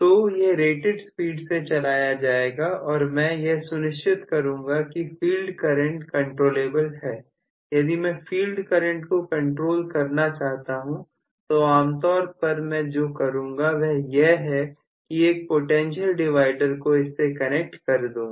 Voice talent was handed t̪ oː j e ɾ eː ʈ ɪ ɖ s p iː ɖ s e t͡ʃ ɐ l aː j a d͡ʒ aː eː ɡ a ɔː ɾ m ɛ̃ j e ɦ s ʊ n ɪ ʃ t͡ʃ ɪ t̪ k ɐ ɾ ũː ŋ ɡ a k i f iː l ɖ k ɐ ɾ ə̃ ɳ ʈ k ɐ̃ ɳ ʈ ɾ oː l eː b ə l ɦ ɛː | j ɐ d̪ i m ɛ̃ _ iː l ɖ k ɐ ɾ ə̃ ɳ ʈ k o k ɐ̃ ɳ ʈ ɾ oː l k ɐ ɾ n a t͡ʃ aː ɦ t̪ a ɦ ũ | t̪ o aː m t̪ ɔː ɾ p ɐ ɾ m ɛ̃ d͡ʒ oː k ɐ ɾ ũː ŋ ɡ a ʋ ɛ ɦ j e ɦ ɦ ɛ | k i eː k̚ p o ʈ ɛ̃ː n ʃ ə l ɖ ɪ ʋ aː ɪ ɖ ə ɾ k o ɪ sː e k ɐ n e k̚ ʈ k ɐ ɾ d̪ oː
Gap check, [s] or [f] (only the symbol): f